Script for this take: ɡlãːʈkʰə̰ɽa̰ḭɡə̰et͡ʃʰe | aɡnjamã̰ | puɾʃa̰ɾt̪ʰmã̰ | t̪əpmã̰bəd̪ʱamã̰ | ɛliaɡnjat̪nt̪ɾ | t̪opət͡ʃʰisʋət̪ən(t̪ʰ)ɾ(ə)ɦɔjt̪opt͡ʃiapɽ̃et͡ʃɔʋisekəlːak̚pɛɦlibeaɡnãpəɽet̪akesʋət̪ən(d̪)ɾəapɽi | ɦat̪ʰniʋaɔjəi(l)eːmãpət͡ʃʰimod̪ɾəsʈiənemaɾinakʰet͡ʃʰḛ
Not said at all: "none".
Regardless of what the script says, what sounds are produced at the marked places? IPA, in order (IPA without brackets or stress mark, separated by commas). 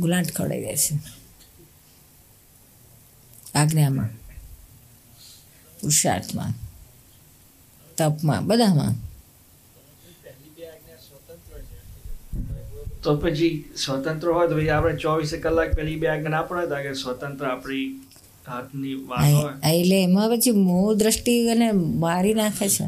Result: t̪, ə, t̪, l